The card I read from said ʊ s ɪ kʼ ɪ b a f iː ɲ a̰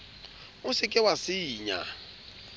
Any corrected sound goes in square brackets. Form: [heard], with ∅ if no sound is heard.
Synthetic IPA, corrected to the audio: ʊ s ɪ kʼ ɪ [w] a [s] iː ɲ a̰